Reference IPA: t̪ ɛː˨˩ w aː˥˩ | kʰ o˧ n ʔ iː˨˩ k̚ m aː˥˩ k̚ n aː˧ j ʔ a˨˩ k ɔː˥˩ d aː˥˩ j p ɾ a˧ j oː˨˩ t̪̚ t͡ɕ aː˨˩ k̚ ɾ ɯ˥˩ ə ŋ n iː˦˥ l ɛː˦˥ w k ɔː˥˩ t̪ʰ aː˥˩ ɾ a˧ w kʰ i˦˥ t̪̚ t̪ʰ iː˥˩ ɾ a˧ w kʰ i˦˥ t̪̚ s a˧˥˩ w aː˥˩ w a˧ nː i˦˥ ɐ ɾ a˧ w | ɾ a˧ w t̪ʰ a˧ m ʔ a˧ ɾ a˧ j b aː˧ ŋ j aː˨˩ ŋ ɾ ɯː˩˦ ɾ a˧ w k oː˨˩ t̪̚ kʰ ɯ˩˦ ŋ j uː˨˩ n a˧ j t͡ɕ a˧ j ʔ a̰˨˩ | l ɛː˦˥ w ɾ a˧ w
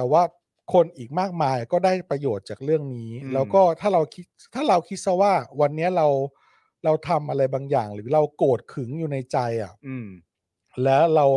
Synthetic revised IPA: t̪ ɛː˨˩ w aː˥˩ | kʰ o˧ n ʔ iː˨˩ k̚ m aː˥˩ k̚ m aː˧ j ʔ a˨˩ k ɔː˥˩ d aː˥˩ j p ɾ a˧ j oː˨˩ t̪̚ t͡ɕ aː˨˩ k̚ ɾ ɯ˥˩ ə ŋ n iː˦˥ l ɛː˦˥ w k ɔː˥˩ t̪ʰ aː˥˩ ɾ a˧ w kʰ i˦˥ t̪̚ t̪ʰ aː˥˩ ɾ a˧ w kʰ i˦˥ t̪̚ s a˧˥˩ w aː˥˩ w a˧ nː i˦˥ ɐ ɾ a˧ w | ɾ a˧ w t̪ʰ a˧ m ʔ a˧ ɾ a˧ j b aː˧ ŋ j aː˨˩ ŋ ɾ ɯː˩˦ ɾ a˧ w k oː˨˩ t̪̚ kʰ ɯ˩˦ ŋ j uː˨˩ n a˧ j t͡ɕ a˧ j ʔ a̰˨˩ | l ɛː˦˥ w ɾ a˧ w